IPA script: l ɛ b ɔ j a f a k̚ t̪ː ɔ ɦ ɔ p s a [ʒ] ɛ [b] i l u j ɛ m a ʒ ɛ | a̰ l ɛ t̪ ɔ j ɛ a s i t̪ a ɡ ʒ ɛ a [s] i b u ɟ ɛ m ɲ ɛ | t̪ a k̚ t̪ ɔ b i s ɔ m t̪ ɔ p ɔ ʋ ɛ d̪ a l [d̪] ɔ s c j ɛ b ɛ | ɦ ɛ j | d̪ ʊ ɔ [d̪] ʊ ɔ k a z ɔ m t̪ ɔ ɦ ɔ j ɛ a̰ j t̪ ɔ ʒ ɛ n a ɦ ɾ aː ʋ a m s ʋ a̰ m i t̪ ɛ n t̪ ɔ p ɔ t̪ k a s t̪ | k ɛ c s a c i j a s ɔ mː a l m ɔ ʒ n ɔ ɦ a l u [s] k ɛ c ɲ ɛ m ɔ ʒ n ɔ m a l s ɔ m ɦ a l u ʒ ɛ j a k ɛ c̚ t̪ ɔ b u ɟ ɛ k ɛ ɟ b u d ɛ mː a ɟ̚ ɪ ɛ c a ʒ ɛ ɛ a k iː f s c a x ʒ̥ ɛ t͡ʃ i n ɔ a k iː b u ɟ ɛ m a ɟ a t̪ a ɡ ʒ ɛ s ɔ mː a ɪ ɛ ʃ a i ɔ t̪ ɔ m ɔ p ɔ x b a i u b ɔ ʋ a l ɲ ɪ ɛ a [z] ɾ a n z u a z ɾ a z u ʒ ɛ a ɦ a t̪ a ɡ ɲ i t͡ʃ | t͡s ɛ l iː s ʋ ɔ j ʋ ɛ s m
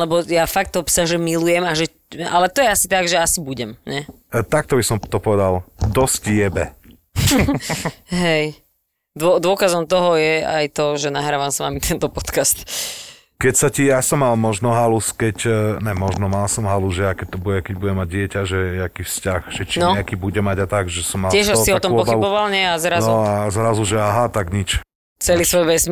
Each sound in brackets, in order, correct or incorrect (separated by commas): correct, incorrect, correct, correct, correct, correct, correct